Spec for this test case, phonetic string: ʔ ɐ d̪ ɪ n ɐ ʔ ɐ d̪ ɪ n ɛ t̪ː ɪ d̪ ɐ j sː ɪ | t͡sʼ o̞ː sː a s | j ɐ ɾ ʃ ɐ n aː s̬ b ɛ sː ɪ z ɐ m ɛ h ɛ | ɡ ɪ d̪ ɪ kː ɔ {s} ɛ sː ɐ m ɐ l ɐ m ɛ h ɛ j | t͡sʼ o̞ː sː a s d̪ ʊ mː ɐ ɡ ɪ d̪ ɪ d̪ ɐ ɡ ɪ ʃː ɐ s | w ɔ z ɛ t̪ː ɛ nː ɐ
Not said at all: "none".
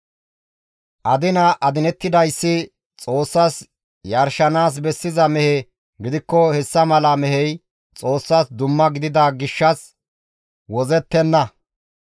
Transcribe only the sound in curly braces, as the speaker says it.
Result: h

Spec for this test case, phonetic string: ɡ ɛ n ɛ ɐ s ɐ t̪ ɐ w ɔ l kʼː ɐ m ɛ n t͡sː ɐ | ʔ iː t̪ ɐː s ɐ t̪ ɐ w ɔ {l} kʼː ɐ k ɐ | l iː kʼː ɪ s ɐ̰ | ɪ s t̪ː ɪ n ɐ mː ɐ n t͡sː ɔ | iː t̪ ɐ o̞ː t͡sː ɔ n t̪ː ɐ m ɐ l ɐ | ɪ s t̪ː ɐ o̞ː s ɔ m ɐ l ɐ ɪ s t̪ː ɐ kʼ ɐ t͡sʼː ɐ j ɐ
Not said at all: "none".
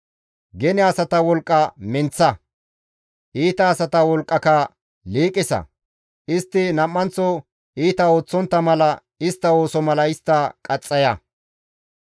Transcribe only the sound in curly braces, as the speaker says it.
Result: l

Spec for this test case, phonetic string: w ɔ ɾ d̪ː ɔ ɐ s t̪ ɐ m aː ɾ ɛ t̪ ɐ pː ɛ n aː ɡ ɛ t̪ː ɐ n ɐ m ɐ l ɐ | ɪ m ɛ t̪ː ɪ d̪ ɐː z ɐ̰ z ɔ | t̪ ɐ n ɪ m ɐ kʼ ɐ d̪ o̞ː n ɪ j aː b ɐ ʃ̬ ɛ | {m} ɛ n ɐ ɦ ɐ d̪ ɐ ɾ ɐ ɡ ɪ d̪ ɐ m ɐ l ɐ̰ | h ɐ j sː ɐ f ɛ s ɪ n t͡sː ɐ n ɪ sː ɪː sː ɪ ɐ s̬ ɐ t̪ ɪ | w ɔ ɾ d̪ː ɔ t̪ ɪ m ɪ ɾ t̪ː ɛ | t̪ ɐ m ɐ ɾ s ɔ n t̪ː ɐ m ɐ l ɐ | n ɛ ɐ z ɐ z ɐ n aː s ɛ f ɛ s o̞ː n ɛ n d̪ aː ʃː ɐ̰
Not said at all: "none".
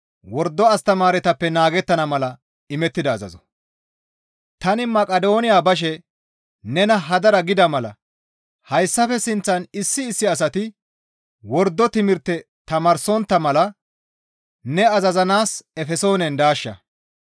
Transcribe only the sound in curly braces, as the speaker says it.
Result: n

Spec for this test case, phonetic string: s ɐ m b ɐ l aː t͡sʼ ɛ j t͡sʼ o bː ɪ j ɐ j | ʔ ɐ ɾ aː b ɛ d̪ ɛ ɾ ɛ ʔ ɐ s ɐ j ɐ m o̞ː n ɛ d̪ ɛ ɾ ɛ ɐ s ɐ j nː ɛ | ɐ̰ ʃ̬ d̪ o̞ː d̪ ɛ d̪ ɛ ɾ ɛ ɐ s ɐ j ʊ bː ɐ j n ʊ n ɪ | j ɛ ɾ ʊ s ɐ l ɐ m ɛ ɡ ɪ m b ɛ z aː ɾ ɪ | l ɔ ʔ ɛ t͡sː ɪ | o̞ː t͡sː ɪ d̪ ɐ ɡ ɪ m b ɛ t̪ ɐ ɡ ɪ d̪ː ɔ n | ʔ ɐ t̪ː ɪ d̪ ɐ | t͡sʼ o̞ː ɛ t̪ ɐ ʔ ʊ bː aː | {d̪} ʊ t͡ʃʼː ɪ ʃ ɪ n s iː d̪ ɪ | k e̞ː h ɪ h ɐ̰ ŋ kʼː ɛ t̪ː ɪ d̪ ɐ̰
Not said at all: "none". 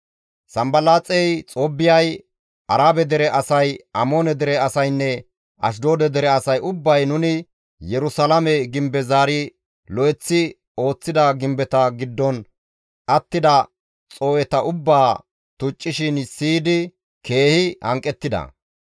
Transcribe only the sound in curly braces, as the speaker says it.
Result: t̪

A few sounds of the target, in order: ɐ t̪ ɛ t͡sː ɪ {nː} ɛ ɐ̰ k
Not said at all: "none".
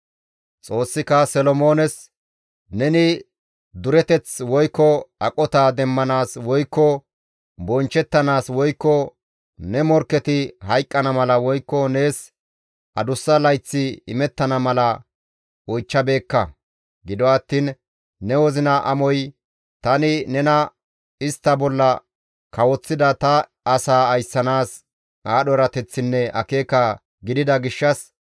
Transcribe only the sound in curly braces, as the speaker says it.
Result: nː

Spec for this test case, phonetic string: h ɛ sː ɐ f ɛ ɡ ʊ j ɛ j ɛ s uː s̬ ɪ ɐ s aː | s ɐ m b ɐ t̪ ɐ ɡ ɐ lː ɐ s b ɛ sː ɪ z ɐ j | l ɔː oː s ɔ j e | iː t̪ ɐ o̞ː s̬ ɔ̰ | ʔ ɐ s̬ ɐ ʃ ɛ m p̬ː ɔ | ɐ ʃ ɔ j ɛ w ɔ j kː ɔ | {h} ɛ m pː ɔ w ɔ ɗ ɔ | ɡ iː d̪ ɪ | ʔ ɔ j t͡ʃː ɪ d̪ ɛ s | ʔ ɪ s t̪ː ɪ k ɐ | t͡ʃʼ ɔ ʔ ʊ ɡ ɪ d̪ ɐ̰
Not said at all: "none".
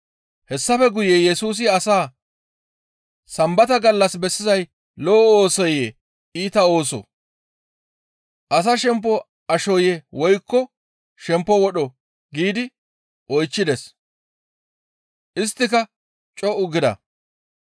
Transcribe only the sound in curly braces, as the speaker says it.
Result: ʃ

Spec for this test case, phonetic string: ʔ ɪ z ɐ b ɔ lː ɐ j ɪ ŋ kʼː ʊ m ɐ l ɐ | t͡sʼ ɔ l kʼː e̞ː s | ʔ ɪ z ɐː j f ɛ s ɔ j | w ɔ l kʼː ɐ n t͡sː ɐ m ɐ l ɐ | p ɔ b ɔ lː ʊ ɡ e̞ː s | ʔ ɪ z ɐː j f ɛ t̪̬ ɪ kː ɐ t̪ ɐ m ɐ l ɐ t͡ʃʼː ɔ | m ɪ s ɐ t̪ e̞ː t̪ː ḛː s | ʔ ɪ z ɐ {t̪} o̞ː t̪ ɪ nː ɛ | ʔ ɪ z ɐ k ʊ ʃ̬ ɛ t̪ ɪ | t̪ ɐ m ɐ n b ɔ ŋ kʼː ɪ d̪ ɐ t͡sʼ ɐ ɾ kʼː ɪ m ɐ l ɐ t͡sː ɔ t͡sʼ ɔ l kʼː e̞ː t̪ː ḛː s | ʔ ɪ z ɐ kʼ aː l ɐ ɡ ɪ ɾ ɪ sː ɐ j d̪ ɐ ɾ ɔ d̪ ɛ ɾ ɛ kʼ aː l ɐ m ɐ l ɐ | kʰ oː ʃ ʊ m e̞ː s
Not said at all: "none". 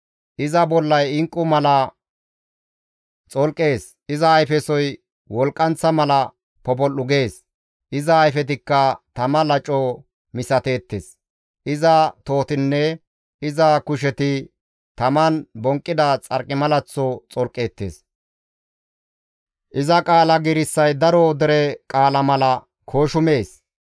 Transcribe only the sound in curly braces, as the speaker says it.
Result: t̪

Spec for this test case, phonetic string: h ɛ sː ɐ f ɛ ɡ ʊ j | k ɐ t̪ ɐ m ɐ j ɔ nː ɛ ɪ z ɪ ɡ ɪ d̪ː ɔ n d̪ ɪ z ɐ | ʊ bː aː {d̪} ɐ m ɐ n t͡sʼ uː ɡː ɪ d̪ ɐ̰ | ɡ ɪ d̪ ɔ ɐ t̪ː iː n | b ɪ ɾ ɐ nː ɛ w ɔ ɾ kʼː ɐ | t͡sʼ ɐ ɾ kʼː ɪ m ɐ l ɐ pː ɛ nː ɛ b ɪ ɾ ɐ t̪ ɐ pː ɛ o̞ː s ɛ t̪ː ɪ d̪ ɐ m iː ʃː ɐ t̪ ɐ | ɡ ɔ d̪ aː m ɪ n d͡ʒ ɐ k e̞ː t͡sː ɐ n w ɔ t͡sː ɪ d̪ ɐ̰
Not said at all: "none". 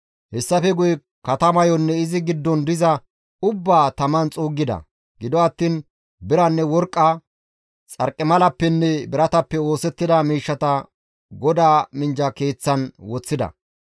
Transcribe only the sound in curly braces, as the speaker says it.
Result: t̪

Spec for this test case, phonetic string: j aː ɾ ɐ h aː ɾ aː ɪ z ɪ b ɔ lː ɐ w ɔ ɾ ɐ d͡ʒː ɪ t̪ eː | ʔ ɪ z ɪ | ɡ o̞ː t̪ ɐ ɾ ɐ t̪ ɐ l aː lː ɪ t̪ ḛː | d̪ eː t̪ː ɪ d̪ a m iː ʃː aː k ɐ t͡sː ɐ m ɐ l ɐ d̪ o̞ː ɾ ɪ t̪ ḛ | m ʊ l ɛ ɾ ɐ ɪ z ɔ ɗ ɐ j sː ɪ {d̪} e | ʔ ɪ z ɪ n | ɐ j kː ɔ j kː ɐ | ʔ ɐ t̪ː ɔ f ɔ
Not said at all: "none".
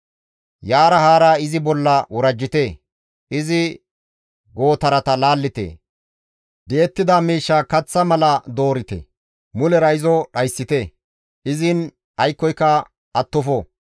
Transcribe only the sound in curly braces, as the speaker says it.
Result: t̪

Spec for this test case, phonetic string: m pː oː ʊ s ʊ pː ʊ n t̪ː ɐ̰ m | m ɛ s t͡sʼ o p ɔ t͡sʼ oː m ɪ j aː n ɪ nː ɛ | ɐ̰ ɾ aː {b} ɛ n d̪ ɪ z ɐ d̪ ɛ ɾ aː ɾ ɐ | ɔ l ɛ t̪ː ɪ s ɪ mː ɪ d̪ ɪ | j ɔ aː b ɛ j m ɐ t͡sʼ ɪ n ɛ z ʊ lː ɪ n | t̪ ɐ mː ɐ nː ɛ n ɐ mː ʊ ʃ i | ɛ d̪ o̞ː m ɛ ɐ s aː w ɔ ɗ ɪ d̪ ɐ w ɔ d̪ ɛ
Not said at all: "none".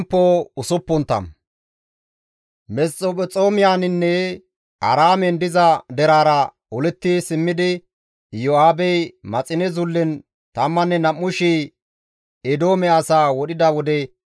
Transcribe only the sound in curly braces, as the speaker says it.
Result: m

